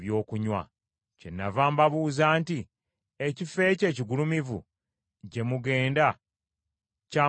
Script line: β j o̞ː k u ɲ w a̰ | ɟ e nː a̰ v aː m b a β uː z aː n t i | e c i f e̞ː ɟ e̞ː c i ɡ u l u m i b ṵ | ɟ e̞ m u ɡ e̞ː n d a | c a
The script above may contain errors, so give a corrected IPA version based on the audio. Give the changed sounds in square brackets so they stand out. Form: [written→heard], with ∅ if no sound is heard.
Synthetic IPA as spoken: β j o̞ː k u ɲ w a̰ | [ɟ→c] e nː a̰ v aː m b a β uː z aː n t i | e c i f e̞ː [ɟ→c] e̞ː c i ɡ u l u m i [b→v] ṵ | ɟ e̞ m u ɡ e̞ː n d a | c a